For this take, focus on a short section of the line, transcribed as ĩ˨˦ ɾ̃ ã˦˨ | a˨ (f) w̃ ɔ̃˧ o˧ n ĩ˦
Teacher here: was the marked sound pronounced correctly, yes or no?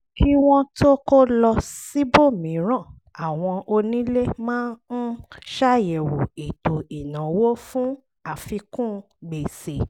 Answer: no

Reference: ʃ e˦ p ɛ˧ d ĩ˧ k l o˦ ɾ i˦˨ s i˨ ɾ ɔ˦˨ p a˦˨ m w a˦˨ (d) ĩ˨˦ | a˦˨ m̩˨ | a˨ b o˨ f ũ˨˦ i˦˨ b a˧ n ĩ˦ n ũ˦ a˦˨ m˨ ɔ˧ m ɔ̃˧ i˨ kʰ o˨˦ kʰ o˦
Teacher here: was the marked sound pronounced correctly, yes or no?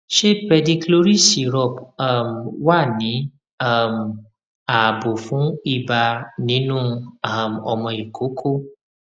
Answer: no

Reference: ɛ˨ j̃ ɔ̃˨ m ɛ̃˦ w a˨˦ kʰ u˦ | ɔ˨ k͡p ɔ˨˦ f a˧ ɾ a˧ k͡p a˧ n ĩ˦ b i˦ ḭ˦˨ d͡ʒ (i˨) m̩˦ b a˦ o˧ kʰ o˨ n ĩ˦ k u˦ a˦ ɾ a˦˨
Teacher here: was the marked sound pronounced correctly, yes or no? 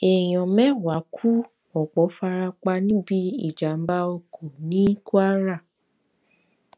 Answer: no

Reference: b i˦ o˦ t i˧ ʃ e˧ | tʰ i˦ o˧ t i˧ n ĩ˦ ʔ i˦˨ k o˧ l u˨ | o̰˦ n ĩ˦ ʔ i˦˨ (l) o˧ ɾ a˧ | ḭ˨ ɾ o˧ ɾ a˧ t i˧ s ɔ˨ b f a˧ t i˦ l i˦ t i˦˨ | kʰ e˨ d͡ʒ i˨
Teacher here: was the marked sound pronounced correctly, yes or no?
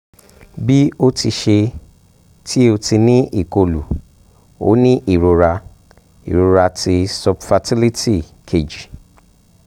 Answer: no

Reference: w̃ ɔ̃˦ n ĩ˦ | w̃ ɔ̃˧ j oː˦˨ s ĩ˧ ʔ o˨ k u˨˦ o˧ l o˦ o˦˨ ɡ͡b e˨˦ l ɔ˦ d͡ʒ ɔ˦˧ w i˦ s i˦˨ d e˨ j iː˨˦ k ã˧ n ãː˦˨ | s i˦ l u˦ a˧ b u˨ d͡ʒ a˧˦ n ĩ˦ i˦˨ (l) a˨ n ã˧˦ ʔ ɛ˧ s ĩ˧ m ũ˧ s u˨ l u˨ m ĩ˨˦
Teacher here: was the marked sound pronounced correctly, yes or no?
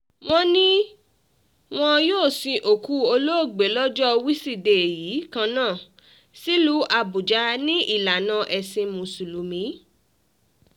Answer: yes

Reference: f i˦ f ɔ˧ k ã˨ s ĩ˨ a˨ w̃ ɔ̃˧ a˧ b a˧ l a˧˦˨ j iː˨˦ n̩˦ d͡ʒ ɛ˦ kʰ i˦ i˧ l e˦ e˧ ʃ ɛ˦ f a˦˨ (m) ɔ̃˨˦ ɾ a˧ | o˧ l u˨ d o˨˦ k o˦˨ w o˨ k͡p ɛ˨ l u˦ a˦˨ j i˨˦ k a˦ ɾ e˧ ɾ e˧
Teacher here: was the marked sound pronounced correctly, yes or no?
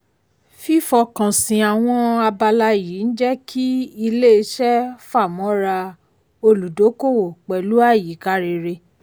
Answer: yes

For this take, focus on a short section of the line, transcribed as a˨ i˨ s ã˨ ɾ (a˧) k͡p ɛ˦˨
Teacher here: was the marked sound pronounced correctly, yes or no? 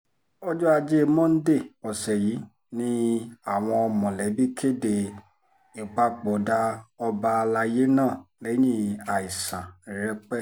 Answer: no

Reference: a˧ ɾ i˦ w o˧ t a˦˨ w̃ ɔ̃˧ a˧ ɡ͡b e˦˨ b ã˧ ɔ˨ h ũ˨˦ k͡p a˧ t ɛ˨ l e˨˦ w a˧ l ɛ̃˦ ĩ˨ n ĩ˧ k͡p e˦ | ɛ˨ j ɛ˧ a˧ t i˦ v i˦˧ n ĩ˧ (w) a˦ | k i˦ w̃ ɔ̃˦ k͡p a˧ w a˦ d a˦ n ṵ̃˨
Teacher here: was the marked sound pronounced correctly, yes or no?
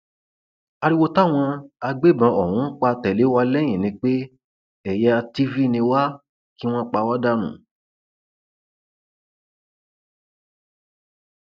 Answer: yes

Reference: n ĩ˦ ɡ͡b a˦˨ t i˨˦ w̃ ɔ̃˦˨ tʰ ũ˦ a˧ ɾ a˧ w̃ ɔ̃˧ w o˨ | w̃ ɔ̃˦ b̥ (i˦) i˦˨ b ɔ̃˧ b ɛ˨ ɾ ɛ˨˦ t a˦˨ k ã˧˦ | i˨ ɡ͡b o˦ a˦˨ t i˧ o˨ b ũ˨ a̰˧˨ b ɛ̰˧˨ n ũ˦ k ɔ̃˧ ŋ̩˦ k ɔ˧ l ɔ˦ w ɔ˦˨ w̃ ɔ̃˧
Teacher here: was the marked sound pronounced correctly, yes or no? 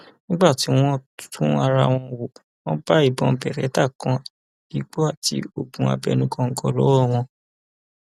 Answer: no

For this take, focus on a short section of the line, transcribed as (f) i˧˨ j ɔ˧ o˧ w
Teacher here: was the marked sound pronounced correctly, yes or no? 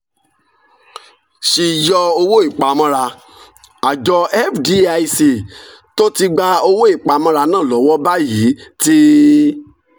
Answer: no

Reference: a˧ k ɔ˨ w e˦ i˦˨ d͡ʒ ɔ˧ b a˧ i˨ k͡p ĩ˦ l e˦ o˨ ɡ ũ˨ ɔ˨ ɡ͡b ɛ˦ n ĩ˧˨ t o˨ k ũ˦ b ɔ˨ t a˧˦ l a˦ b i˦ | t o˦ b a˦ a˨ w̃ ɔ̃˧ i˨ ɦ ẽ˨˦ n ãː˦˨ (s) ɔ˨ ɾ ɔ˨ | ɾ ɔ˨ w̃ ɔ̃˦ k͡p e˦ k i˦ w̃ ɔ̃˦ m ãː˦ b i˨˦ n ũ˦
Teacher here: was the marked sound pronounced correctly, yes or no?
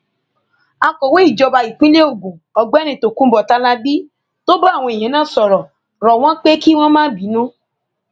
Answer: yes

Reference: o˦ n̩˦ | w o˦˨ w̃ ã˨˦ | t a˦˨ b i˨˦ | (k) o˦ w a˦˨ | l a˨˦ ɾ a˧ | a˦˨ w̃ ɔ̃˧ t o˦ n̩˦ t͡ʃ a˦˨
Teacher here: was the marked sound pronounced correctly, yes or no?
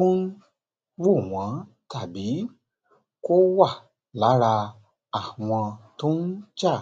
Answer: yes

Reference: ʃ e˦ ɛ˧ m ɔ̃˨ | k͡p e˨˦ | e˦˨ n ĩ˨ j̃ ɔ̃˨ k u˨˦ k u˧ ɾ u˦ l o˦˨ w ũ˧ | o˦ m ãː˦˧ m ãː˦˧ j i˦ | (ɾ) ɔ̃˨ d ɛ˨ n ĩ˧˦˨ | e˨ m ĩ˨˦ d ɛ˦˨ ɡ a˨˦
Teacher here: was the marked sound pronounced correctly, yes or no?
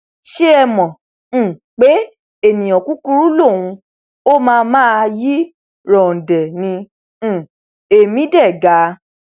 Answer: yes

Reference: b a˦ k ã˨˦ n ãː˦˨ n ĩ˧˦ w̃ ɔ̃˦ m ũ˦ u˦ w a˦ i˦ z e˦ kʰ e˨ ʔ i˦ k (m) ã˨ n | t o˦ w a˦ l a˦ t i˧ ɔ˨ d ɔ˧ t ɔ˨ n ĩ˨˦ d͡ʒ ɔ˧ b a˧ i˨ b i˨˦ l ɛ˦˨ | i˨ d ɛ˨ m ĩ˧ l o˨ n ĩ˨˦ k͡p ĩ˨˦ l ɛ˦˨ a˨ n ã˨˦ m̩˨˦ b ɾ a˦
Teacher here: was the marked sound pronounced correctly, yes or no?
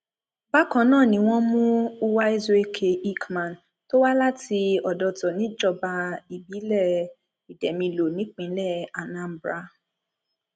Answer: yes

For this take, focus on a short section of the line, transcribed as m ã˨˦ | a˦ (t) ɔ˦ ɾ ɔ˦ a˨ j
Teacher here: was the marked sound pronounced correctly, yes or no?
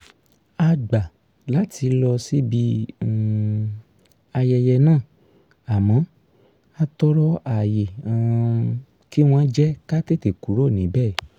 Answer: yes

